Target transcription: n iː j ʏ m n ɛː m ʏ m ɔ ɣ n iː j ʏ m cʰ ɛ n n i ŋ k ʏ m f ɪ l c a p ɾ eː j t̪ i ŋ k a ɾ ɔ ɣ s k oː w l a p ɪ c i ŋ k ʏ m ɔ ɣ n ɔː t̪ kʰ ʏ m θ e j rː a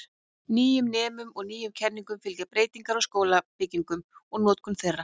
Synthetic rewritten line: n iː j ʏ m n ɛː m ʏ m ɔ ɣ n iː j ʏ m cʰ ɛ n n i ŋ k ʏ m f ɪ l c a p ɾ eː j t̪ i ŋ k a ɾ ɔ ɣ s k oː w l a p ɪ c i ŋ k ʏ m ɔ ɣ n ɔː t̪ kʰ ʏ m θ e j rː a